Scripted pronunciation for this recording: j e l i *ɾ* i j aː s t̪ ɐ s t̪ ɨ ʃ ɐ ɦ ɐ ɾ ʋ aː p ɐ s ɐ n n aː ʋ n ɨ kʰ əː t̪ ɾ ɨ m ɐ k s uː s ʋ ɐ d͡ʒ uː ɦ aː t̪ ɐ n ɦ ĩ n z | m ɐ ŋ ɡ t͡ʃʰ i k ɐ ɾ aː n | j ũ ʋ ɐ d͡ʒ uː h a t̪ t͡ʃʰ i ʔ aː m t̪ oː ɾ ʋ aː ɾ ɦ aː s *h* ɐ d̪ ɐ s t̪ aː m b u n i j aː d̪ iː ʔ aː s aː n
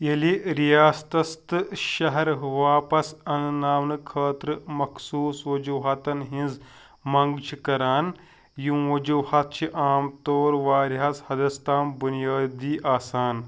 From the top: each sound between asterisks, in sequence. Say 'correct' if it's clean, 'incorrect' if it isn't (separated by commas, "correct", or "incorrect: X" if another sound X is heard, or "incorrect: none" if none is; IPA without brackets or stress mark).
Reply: correct, correct